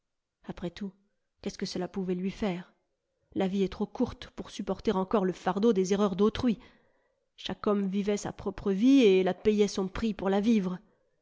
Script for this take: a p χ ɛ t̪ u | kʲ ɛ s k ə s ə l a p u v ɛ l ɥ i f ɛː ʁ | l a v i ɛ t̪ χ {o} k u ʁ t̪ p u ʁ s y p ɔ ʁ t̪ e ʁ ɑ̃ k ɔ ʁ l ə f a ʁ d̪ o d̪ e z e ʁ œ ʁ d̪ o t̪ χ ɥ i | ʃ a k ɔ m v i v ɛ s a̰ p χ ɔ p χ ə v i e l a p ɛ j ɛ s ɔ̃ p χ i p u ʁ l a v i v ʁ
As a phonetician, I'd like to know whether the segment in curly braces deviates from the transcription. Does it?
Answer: no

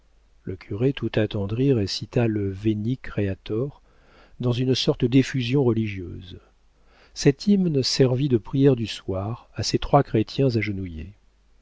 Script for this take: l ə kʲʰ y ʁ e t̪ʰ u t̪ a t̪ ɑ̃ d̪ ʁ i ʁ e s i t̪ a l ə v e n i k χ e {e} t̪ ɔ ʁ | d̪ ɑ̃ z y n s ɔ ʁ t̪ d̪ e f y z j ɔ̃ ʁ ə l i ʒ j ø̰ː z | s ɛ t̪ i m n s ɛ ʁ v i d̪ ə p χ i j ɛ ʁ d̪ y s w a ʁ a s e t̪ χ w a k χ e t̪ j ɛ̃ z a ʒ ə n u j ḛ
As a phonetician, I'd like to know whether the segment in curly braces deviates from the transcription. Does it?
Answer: yes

